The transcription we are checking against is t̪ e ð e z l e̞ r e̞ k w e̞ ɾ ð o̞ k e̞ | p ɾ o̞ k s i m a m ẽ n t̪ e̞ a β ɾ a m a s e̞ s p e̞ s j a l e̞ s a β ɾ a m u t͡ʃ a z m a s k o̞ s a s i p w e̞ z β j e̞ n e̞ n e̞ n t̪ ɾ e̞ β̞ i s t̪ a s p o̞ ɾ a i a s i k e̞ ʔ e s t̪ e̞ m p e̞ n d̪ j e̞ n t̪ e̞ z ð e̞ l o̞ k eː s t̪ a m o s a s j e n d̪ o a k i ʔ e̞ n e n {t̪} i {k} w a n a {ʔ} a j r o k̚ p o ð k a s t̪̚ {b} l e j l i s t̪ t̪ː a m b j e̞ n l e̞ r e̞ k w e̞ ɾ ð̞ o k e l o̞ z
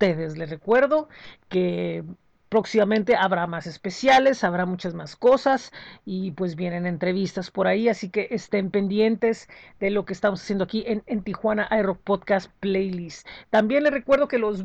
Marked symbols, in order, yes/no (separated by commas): yes, no, yes, no